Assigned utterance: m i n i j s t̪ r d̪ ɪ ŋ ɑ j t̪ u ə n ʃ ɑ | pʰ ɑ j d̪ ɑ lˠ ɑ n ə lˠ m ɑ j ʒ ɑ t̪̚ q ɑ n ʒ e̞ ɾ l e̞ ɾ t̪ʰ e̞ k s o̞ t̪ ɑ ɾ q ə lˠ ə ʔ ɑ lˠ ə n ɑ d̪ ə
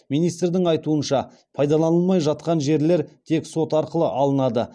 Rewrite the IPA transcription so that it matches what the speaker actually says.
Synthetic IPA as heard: m i n i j s t̪ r d̪ ɪ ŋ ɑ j t̪ u ə n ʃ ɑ | pʰ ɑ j d̪ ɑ lˠ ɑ n ə lˠ m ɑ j ʒ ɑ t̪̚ q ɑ n ʒ e̞ ɾ l e̞ ɾ t̪ʰ e̞ k s o̞ t̪ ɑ ɾ q ə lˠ ə ʔ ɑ lˠ ə n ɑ d̪ ə